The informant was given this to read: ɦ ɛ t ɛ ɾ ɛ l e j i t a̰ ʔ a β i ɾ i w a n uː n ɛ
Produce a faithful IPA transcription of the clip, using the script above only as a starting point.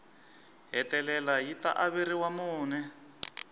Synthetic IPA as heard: ɦ ɛ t ɛ l ɛ l a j i t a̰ ʔ a β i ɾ i w a m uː n ɛ